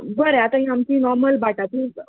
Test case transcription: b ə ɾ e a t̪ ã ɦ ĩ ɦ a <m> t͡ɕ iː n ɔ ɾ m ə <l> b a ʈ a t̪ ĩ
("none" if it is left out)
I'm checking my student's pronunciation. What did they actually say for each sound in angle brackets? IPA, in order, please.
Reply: m, l

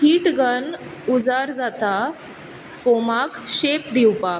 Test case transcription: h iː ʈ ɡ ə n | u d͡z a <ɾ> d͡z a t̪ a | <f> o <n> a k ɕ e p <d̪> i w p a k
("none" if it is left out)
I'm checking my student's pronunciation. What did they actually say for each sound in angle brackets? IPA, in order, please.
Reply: ɾ, f, m, d̪

